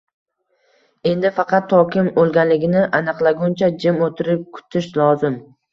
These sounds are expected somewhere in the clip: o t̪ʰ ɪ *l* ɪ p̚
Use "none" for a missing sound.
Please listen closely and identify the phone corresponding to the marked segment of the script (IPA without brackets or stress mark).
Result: ɾ